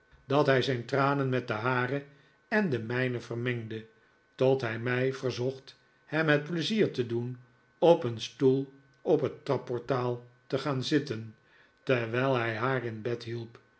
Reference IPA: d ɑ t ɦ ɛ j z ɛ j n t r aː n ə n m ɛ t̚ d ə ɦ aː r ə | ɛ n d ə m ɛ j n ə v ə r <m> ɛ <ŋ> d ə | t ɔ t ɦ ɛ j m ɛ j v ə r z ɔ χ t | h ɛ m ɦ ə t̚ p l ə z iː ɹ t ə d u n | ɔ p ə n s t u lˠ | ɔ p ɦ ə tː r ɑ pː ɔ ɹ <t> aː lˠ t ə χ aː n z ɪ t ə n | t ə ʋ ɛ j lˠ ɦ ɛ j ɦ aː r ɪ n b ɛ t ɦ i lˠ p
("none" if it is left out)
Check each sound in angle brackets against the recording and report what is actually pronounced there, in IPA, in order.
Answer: m, ŋ, t

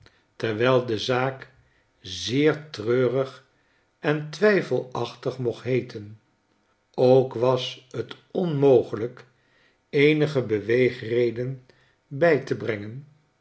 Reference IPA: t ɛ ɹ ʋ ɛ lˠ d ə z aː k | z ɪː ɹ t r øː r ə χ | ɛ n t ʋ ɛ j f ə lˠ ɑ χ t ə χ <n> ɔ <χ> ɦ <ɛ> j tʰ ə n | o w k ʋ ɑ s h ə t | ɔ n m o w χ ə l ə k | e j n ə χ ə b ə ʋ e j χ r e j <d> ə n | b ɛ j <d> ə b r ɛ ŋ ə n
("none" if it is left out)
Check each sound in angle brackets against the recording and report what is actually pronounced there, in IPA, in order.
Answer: m, χ, e, d, t

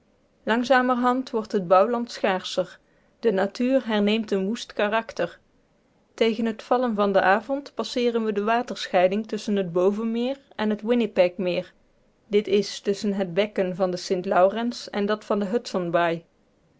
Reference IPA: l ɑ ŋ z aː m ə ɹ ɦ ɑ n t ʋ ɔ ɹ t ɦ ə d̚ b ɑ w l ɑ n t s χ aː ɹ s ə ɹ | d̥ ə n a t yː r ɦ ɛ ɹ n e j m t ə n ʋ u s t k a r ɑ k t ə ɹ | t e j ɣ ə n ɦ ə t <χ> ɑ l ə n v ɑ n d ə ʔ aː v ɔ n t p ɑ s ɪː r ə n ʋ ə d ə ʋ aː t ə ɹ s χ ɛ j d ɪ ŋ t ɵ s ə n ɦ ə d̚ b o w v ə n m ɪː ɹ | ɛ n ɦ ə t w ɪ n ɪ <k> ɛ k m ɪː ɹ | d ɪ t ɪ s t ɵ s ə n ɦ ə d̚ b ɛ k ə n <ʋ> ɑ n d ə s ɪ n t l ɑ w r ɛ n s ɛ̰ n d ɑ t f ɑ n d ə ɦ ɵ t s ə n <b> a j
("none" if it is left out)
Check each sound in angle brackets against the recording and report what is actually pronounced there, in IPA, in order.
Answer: f, p, v, b

